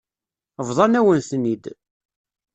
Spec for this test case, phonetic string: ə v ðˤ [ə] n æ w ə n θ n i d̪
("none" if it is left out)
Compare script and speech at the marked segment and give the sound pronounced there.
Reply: ɑ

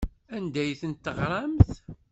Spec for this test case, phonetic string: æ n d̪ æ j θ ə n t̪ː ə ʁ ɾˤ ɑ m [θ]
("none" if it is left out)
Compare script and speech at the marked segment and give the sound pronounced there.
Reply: θ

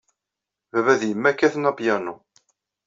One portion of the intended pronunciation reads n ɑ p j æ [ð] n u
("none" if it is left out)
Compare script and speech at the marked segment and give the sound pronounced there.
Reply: none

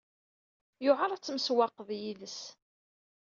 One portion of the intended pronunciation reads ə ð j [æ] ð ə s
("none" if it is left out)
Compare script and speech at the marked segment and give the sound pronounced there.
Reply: i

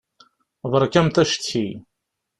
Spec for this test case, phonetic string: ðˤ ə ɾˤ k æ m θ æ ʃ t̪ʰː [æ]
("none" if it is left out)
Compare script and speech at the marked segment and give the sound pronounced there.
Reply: i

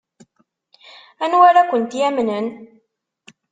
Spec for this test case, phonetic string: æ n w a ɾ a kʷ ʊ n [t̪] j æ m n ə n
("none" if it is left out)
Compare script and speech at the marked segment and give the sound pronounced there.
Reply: t̪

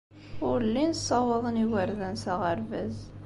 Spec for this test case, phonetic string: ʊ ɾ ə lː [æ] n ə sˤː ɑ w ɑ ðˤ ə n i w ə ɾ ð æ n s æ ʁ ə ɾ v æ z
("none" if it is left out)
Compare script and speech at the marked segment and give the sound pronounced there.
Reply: i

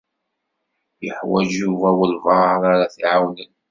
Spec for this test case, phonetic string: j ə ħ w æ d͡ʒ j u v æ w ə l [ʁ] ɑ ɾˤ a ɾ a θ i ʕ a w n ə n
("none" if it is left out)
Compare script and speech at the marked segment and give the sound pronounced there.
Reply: v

